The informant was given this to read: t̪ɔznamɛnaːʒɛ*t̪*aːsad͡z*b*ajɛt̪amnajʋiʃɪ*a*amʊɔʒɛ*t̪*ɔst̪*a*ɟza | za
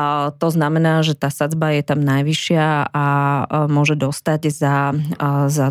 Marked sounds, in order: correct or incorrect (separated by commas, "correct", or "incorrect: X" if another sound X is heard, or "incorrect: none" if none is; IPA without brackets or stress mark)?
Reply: correct, correct, correct, incorrect: d̪, correct